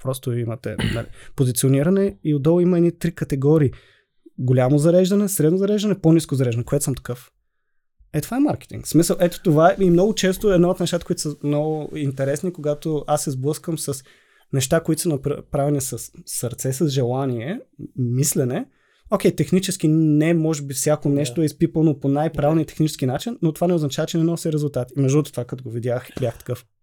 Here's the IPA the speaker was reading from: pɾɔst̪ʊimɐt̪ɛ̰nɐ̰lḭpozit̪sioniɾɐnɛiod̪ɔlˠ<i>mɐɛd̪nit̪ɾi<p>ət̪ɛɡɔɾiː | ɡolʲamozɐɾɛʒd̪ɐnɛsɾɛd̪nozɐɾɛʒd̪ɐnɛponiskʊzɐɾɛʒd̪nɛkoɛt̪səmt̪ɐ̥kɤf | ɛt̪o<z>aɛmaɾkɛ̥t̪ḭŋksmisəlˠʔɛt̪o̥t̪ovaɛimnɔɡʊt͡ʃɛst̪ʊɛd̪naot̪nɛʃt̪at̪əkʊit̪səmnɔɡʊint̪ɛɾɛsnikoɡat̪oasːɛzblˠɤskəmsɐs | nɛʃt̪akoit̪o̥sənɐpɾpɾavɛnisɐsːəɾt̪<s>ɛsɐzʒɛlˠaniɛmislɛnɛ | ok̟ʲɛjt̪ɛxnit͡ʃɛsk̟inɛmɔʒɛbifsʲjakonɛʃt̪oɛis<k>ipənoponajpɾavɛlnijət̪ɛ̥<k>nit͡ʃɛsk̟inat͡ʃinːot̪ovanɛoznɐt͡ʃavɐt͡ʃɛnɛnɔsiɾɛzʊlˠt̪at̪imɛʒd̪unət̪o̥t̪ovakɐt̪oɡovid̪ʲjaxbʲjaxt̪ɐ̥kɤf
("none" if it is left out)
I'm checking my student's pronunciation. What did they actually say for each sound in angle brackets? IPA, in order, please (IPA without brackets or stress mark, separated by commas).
i, k, v, s, p, x